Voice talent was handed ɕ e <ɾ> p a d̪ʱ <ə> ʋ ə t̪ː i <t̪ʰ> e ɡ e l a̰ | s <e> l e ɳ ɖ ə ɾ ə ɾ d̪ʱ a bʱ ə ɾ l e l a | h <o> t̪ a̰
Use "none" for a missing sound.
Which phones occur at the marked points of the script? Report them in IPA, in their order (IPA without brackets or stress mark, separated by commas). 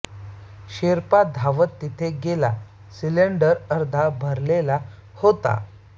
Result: ɾ, a, t̪ʰ, i, o